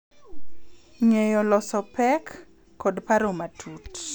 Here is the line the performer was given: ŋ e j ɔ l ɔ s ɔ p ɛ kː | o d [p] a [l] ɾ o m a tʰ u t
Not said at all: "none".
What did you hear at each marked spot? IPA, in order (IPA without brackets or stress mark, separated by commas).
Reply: p, none